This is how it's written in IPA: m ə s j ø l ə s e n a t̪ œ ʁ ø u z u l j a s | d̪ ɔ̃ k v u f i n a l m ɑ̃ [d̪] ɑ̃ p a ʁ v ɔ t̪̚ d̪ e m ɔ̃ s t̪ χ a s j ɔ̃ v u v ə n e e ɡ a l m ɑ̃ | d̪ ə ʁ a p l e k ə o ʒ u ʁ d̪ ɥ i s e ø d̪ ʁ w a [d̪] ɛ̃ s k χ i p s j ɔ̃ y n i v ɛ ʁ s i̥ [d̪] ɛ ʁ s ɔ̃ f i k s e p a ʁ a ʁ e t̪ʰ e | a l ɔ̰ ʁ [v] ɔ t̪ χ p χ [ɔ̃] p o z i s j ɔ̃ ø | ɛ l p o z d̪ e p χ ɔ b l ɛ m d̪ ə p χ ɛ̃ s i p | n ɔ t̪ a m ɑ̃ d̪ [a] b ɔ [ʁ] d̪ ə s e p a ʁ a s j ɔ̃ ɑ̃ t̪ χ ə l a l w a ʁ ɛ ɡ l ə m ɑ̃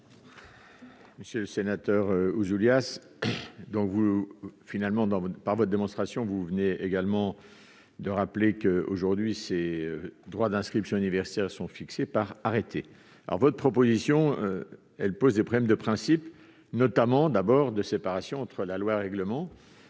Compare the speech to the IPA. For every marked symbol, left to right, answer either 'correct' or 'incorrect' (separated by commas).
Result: correct, correct, incorrect, correct, incorrect, correct, correct